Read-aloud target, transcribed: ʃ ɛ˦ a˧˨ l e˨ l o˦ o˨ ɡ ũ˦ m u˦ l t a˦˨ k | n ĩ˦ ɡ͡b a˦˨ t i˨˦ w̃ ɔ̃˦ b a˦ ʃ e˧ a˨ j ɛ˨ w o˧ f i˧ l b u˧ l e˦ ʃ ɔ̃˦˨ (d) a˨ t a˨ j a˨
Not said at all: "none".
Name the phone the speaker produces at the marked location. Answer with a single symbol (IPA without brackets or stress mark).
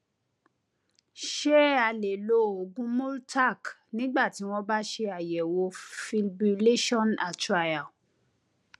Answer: n